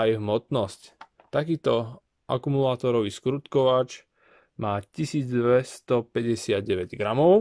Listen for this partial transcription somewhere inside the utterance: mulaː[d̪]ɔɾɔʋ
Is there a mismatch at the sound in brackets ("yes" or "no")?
yes